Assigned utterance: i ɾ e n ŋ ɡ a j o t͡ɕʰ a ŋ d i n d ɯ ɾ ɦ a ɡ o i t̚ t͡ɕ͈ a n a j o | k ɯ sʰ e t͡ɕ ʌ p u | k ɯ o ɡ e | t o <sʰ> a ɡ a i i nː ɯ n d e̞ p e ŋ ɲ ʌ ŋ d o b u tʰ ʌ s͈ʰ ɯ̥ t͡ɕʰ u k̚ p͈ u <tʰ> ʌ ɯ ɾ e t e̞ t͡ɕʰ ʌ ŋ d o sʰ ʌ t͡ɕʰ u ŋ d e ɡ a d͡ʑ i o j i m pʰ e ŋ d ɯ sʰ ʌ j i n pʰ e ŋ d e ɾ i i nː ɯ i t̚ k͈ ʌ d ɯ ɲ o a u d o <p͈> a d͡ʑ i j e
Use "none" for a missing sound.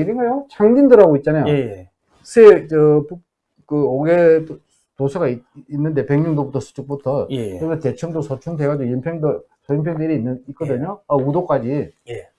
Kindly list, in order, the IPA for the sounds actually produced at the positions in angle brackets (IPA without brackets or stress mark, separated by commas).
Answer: sʰ, tʰ, k͈